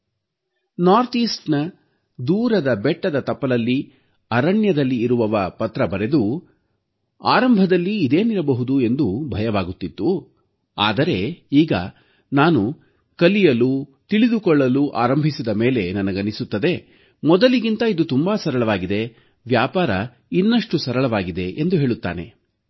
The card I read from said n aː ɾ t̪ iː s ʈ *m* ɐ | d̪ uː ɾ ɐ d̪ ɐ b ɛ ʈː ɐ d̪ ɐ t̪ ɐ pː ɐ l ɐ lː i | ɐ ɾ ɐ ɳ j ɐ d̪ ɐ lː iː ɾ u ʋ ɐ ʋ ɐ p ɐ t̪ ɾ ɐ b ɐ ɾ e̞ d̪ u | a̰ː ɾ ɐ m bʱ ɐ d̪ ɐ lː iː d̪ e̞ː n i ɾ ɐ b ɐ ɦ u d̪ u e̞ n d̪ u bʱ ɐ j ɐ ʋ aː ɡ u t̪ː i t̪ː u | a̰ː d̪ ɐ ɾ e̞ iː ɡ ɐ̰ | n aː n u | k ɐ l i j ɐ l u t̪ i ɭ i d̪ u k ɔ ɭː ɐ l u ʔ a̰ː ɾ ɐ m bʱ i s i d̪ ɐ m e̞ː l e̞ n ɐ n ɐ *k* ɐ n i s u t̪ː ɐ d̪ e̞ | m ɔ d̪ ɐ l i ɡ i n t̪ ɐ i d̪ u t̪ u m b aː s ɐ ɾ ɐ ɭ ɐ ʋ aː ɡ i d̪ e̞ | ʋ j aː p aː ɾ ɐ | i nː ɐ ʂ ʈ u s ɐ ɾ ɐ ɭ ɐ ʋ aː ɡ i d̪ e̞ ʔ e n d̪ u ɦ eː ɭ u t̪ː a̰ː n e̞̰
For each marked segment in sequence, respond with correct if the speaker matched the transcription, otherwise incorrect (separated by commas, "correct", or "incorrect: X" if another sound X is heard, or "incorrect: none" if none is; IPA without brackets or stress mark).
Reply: incorrect: n, incorrect: ɡ